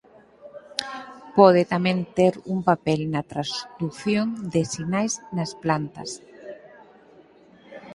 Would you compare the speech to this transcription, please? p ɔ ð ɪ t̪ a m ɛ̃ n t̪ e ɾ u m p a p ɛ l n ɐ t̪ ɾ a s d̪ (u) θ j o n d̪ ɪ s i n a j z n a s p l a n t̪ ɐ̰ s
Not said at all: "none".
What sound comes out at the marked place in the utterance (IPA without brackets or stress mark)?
u